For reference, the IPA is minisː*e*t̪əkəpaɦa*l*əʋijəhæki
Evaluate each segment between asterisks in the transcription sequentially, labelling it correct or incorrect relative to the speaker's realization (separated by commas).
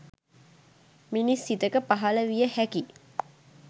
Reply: incorrect, correct